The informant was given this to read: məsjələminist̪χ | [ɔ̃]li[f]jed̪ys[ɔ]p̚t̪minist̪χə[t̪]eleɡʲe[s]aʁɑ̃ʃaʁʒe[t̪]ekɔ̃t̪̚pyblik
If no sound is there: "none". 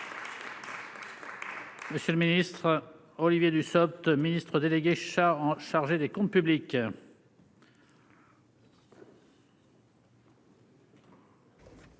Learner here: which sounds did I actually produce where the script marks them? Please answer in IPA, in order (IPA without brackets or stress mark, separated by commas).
ɔ, v, ɔ, d̪, ʃ, d̪